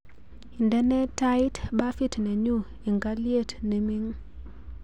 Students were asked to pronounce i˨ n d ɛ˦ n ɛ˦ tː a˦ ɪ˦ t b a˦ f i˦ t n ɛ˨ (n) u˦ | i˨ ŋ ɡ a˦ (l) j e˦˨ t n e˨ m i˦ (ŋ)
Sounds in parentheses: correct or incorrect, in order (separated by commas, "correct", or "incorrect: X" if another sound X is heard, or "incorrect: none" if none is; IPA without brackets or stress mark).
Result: incorrect: ɲ, correct, correct